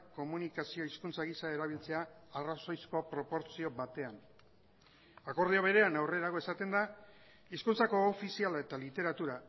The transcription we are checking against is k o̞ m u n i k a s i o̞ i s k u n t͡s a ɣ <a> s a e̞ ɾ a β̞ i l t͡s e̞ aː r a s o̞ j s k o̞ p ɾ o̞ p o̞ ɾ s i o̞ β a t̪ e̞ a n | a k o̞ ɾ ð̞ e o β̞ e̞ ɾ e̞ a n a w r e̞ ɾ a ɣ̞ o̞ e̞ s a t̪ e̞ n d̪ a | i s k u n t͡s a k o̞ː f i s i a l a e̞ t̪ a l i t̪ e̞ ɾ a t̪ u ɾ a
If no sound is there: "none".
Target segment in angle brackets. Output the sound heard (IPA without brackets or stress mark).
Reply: i